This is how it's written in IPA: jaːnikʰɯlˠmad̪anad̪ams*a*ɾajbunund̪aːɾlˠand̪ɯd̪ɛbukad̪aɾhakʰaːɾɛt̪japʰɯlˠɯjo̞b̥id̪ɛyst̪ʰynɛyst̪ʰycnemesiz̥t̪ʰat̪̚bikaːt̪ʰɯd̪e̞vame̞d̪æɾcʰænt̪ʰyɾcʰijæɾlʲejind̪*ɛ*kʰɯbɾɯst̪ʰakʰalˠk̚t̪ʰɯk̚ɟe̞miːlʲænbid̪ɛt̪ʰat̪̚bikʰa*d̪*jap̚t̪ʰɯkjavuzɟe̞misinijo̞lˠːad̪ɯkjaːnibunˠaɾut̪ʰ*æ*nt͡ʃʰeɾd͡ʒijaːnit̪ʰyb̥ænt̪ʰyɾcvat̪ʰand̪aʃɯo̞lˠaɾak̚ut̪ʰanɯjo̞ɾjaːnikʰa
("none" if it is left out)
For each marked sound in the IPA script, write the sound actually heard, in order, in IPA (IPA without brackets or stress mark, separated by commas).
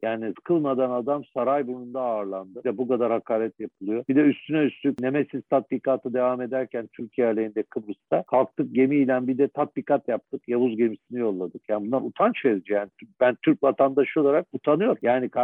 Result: a, ɛ, t̪, a